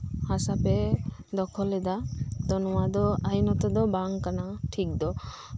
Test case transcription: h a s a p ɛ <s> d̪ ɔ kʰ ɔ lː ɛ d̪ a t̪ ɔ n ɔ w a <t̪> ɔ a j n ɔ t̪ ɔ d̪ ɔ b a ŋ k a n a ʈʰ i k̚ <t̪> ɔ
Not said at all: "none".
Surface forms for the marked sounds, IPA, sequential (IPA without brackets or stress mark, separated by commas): none, d̪, d̪